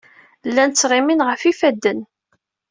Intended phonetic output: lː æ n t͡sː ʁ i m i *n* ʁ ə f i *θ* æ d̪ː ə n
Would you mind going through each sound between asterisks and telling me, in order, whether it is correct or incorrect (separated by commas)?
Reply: correct, incorrect